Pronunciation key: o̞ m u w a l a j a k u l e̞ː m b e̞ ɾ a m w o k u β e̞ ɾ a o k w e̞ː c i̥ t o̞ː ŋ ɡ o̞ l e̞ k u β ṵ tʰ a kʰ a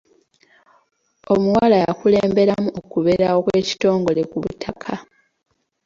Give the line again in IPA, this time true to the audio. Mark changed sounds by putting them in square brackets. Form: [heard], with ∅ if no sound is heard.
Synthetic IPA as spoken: o̞ m u w a l a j a k u l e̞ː m b e̞ ɾ a m [u] o k u β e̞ ɾ a o k w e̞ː c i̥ t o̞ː ŋ ɡ o̞ l e̞ k u β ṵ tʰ a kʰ a